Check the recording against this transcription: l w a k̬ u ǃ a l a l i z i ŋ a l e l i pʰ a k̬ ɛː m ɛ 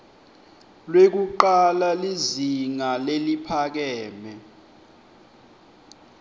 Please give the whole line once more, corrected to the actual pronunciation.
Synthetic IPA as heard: l w e k̬ u ǃ a l a l i z i ŋ a l e l i pʰ a k̬ ɛː m ɛ